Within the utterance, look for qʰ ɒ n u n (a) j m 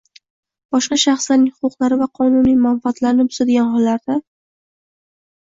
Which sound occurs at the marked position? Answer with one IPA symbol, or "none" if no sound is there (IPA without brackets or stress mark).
i